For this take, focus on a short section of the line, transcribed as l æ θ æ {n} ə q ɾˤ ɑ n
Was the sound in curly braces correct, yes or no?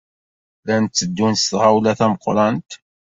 no